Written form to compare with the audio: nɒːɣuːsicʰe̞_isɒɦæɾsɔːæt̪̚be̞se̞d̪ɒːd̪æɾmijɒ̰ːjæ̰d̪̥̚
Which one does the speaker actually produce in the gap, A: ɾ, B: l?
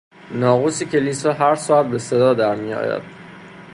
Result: B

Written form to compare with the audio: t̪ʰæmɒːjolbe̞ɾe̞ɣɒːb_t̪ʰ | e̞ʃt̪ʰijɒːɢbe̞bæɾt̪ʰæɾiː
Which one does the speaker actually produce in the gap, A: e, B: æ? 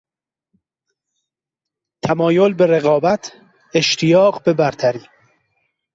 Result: B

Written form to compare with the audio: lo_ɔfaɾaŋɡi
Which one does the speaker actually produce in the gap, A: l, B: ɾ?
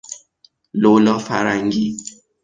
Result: A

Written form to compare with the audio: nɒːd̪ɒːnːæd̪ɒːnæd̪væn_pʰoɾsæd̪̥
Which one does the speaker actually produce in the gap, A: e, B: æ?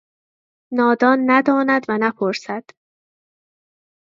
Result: B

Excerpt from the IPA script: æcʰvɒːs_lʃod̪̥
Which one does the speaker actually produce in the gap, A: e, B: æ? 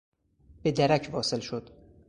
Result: A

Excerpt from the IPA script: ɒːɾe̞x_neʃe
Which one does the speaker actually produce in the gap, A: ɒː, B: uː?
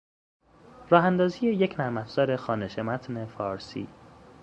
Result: A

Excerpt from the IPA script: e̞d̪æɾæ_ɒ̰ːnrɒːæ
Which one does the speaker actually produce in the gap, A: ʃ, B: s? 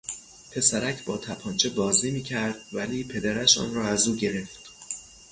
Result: A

